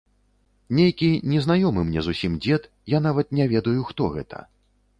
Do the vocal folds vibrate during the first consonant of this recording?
yes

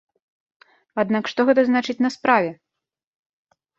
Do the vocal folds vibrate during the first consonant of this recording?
yes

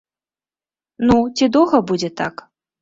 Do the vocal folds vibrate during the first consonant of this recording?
yes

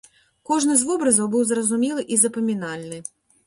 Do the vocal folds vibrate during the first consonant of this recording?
no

